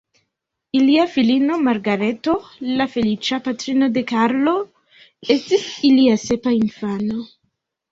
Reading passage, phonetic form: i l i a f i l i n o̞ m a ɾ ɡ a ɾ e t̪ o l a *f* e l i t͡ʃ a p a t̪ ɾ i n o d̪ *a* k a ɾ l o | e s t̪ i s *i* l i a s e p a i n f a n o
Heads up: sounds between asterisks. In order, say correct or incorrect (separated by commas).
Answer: correct, incorrect, correct